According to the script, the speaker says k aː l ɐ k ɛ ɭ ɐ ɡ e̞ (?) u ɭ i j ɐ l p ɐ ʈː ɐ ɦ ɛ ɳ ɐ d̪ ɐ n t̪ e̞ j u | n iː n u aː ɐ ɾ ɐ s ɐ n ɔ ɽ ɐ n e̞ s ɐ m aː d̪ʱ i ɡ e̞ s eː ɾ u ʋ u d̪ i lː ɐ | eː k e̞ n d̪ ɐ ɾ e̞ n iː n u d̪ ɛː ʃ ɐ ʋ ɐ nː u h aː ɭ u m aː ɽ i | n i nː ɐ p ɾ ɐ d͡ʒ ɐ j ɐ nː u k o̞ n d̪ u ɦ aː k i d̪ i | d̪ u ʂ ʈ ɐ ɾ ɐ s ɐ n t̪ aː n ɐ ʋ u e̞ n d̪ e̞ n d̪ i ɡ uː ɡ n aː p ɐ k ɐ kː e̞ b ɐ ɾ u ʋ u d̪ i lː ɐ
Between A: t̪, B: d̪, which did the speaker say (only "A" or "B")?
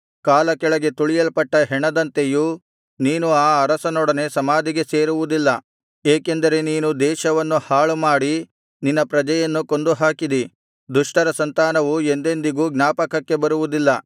A